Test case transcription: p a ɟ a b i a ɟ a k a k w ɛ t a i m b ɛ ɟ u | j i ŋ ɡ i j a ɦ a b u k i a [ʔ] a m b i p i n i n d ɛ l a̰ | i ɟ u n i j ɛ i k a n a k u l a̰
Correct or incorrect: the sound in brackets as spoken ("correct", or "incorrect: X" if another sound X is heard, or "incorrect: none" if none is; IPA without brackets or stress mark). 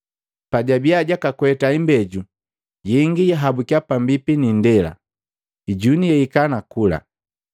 incorrect: p